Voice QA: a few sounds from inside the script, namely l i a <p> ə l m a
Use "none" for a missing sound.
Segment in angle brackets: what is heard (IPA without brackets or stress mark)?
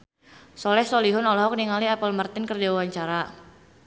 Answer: p